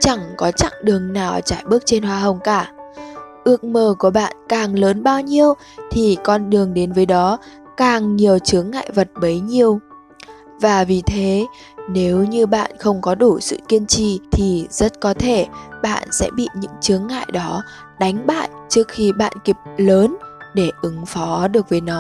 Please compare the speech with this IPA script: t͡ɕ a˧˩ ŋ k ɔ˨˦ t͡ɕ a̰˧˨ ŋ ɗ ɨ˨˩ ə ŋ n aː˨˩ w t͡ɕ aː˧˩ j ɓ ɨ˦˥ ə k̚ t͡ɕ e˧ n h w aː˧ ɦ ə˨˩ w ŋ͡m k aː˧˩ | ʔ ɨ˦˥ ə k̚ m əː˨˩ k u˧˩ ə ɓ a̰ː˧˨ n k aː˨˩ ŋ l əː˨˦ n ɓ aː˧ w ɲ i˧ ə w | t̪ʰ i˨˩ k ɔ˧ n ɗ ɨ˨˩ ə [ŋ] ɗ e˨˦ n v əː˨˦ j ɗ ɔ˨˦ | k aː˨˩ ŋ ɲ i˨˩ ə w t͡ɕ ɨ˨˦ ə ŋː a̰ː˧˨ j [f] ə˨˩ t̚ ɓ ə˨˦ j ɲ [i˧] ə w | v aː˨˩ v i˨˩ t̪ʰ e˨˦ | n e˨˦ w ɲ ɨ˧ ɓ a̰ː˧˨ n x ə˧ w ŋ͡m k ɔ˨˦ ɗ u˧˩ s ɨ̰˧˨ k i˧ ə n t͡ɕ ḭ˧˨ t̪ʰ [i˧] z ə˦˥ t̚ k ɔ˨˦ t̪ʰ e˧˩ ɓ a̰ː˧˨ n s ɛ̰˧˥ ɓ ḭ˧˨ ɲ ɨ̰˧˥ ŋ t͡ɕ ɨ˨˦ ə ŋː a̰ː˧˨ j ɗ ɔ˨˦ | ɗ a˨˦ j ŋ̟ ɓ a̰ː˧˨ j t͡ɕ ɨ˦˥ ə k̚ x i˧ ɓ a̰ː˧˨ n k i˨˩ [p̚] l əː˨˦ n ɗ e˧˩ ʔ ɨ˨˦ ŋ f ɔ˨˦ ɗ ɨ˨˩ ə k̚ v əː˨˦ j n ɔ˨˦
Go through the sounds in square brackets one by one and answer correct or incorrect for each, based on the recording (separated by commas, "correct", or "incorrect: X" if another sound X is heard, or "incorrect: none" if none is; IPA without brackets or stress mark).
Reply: correct, incorrect: v, correct, incorrect: i˨˩, correct